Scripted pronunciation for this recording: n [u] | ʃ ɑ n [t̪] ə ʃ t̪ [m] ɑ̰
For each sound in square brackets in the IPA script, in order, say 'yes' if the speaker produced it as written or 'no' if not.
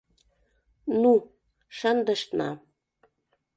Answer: yes, no, no

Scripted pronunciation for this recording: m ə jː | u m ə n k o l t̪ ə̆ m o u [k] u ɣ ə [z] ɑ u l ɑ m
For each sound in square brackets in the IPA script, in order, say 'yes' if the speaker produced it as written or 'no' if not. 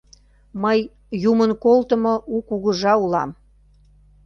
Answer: yes, no

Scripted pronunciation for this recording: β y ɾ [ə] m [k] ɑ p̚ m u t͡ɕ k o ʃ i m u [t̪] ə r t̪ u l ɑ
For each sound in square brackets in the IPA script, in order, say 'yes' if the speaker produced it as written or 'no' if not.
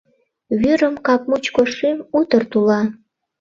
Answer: yes, yes, yes

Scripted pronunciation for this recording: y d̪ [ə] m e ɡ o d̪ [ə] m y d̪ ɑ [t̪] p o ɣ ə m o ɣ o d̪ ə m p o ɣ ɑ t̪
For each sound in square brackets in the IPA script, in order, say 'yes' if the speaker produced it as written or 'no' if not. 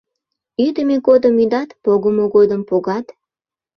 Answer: yes, yes, yes

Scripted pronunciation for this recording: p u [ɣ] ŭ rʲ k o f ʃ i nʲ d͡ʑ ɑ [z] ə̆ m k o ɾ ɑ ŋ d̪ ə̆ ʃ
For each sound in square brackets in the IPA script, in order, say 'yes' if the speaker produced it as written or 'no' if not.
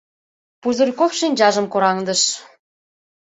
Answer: no, no

